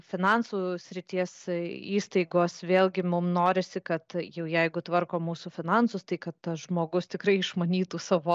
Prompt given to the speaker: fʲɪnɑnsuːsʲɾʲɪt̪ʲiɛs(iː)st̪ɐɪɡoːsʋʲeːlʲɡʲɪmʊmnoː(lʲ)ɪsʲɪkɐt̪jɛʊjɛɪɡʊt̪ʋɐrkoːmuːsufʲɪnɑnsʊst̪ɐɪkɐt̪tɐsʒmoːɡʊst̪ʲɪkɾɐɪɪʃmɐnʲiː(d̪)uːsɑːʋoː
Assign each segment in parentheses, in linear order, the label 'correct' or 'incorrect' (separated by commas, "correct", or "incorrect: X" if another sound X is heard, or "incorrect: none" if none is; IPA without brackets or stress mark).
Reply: correct, incorrect: ɾʲ, incorrect: t̪